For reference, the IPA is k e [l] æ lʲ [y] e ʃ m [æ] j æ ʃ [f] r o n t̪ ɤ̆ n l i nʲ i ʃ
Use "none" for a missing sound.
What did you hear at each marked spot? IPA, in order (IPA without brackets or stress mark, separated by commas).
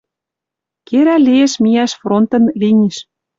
ɾ, i, i, f